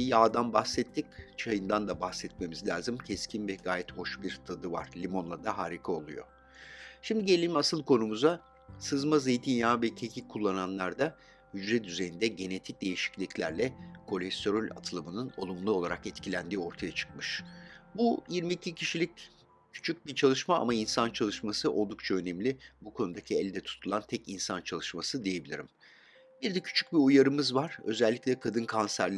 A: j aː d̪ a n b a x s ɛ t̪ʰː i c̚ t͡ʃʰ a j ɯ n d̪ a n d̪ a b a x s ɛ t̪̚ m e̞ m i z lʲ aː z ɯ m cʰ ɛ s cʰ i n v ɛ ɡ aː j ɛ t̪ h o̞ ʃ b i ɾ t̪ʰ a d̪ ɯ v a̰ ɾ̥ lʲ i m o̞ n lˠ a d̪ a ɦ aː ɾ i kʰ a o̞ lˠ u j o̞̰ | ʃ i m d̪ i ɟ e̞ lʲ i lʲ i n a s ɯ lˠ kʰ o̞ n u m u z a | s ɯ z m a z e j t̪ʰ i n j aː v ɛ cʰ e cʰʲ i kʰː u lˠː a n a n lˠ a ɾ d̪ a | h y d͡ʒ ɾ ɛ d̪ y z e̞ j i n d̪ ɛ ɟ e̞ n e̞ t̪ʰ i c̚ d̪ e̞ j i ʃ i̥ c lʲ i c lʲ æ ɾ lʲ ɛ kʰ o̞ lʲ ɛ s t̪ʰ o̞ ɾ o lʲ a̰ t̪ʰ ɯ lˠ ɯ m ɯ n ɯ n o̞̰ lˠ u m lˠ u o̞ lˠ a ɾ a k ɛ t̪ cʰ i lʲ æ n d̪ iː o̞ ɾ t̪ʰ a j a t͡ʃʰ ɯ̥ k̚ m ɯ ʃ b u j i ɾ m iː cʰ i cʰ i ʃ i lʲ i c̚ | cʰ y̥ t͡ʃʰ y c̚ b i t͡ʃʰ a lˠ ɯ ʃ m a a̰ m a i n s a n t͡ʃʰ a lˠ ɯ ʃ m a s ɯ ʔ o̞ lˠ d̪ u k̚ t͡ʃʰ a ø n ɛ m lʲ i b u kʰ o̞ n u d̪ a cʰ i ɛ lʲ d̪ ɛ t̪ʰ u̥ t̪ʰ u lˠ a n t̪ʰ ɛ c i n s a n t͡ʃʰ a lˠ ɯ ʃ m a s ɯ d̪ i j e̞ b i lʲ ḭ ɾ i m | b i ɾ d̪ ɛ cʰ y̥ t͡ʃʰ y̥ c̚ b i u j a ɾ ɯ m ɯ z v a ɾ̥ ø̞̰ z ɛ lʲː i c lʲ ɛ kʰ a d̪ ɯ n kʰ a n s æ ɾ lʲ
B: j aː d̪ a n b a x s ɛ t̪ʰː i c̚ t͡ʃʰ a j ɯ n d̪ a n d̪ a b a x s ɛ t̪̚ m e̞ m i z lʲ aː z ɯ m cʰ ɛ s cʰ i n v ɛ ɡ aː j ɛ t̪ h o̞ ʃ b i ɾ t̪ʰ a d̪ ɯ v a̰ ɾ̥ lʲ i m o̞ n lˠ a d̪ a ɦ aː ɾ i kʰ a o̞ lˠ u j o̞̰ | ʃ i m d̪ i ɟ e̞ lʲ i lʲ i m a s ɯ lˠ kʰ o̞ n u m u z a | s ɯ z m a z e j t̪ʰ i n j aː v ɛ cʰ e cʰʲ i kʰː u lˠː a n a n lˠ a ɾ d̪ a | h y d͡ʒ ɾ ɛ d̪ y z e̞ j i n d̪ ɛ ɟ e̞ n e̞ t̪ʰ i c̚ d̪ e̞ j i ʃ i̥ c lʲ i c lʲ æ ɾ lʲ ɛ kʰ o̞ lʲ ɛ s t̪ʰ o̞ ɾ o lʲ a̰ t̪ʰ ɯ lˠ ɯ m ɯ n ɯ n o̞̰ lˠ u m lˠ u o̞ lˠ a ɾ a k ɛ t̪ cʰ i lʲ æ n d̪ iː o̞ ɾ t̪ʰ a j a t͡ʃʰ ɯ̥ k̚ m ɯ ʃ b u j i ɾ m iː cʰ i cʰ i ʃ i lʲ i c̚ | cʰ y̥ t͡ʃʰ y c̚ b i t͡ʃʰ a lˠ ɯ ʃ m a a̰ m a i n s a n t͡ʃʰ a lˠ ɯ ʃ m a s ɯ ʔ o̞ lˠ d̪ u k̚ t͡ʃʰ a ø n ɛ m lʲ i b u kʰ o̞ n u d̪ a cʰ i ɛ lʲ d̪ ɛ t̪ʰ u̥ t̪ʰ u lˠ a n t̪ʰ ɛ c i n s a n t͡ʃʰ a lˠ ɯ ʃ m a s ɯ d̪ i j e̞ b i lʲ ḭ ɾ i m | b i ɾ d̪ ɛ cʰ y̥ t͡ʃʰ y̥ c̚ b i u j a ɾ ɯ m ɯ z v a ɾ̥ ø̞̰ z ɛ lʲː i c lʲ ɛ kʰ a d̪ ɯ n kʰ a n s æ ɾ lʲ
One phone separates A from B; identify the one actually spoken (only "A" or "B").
B